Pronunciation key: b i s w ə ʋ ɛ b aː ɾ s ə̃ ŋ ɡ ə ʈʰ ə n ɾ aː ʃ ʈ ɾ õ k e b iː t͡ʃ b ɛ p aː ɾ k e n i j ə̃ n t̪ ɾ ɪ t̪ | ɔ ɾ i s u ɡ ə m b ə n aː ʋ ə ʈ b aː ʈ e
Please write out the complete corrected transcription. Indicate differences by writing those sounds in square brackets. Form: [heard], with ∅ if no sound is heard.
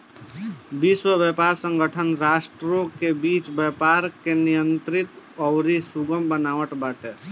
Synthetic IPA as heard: b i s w ə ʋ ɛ [p] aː ɾ s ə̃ ŋ ɡ ə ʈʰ ə n ɾ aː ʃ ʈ ɾ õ k e b iː t͡ʃ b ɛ p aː ɾ k e n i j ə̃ n t̪ ɾ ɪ t̪ | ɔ ɾ i s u ɡ ə m b ə n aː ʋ ə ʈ b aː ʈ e